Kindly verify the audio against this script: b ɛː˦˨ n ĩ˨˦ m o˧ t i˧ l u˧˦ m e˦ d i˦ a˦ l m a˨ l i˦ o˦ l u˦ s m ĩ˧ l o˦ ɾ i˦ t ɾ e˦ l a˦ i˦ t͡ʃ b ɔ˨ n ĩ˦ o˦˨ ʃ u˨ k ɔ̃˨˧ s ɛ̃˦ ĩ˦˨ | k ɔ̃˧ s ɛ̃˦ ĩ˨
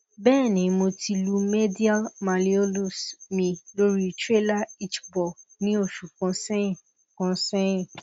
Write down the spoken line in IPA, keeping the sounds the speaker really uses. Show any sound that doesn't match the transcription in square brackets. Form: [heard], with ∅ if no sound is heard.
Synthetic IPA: b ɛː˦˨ n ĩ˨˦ m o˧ t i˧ l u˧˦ m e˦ d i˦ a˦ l m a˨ l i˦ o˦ l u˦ s m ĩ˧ l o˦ ɾ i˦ t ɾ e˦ l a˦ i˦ t͡ʃ b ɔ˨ n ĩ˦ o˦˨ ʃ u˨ k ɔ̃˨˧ s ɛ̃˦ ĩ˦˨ | k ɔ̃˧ s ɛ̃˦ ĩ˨